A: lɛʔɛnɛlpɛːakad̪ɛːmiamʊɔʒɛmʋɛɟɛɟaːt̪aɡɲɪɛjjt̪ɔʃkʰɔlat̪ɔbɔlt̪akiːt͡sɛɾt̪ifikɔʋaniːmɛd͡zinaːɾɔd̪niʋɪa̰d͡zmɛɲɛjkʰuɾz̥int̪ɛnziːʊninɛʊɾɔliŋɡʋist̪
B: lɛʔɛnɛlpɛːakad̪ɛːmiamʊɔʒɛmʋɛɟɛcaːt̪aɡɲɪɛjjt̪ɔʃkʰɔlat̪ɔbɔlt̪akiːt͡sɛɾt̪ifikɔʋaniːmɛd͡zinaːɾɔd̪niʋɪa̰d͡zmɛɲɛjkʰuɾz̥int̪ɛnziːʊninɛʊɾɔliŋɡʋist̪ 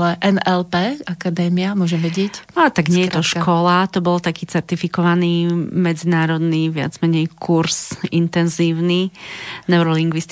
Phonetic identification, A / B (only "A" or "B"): B